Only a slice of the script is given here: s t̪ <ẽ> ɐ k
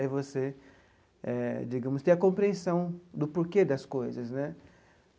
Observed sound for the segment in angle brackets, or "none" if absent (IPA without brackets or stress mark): ẽ